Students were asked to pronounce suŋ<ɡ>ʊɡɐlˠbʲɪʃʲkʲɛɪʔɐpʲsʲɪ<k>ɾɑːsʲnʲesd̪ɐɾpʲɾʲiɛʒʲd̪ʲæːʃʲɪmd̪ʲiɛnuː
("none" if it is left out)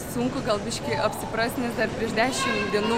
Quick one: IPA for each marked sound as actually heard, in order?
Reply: k, p

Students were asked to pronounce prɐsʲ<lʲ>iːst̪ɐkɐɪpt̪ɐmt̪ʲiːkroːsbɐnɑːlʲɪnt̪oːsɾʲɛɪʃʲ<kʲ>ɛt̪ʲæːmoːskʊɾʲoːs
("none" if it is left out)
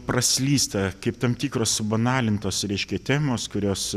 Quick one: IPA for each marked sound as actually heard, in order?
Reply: lʲ, kʲ

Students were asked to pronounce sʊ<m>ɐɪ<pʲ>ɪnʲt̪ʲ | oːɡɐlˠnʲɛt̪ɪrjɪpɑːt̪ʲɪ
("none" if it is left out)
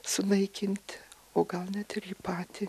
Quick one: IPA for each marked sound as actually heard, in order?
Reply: n, kʲ

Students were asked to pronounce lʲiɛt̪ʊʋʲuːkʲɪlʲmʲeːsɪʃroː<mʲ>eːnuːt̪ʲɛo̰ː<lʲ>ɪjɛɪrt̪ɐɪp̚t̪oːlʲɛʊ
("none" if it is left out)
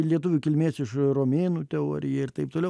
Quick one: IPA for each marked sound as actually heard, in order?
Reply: mʲ, ɾʲ

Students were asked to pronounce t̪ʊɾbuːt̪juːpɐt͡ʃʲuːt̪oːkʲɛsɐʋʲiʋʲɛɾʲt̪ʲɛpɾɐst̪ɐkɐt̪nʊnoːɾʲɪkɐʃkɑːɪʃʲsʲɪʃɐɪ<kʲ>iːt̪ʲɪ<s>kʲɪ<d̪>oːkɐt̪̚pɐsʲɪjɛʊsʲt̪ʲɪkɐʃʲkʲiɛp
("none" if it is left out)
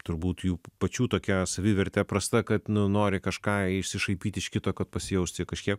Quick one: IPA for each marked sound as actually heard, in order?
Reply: pʲ, ʃ, t̪

